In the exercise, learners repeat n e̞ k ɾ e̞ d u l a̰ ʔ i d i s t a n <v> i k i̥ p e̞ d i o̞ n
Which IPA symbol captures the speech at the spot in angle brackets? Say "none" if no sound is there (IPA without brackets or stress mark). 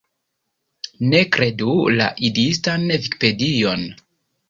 v